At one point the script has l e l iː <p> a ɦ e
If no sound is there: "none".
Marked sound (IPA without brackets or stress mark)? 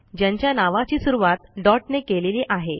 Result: ʔ